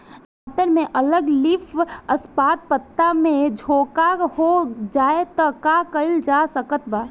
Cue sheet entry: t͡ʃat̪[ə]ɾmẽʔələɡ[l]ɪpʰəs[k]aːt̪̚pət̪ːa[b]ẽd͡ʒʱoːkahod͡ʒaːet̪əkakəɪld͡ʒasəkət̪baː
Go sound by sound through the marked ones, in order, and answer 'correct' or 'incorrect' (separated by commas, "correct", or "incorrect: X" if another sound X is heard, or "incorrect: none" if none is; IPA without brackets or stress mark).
correct, correct, incorrect: p, incorrect: m